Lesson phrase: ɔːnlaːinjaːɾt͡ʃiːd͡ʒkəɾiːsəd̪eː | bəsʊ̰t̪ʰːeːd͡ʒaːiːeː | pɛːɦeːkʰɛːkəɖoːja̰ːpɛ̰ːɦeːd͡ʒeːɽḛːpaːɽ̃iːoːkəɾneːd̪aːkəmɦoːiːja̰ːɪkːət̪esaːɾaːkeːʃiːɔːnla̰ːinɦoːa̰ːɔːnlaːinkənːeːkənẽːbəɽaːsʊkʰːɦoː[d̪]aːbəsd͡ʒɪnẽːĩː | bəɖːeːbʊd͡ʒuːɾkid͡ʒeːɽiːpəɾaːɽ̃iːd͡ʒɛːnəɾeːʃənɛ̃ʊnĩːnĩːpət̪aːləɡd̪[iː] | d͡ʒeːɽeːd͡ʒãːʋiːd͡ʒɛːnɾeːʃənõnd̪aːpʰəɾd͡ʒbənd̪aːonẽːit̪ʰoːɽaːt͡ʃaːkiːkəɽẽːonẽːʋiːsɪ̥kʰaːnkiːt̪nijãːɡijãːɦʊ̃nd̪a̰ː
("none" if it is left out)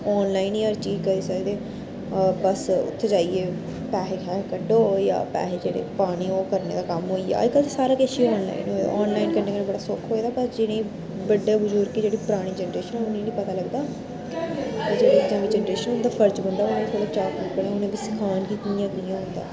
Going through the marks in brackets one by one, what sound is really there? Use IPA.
d̪, aː

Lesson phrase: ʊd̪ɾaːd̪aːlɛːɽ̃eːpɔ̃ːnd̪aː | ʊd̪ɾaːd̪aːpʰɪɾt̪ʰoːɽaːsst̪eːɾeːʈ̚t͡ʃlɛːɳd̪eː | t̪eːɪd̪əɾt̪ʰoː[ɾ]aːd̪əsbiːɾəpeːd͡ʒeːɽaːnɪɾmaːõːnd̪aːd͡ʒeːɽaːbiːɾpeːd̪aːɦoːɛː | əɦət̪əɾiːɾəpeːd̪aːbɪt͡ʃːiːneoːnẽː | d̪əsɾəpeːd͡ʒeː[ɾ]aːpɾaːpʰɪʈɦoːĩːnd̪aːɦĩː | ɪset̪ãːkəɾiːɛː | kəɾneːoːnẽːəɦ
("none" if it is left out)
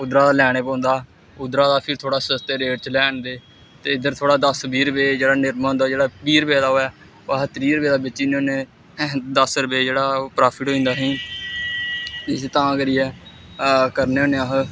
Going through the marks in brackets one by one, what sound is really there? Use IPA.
ɽ, ɽ

